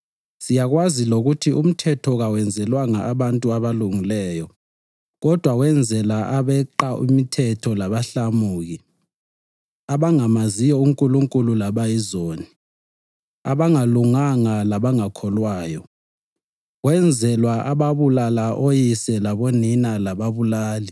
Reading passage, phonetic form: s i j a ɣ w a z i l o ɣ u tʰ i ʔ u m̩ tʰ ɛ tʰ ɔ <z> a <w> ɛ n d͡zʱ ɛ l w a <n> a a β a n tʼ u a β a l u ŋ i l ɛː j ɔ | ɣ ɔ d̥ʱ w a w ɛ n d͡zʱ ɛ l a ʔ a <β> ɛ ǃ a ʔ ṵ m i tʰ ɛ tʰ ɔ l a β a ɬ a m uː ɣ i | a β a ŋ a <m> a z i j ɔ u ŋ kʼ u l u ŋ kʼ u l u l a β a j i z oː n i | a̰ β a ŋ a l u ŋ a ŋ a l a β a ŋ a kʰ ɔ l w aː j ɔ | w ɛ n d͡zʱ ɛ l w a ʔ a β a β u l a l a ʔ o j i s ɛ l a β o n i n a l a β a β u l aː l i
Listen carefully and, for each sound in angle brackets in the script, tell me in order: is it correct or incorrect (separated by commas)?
incorrect, correct, incorrect, correct, correct